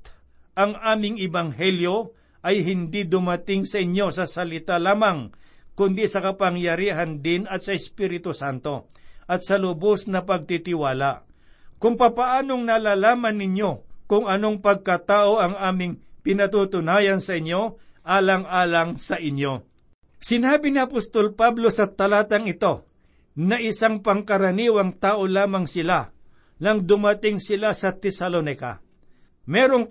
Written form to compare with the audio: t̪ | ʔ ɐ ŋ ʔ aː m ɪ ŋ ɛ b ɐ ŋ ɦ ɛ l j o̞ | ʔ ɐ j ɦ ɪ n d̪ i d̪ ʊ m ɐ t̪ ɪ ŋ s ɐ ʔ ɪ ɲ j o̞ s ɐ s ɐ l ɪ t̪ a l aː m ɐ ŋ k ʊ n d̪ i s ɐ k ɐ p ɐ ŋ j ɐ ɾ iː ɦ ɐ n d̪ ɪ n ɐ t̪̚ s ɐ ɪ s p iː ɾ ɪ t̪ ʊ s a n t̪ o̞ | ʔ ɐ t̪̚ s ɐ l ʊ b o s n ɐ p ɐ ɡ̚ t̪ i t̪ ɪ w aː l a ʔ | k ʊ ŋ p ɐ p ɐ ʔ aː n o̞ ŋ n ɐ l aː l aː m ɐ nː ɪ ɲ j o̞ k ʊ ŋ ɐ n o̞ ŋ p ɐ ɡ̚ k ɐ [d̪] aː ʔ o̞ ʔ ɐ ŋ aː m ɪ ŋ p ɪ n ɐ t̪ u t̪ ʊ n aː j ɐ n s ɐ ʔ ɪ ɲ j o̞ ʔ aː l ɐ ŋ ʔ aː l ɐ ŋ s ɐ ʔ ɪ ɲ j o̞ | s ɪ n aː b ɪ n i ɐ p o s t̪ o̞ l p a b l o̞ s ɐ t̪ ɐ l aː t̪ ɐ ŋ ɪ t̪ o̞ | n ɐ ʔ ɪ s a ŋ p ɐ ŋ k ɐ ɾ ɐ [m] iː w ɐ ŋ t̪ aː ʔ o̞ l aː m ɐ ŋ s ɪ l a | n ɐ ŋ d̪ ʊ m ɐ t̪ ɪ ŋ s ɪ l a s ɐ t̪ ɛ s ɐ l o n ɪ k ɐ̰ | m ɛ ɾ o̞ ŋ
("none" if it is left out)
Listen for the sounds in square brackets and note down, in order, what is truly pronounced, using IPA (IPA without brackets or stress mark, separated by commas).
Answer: t̪, n